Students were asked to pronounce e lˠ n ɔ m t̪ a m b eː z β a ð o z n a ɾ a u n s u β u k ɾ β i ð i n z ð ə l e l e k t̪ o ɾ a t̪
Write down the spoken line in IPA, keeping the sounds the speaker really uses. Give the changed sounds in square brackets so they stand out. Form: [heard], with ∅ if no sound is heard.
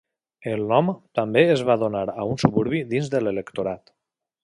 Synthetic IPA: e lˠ n ɔ m t̪ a m b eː z β a ð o [∅] n a ɾ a u n s u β u [∅] ɾ β i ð i n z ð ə l e l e k t̪ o ɾ a t̪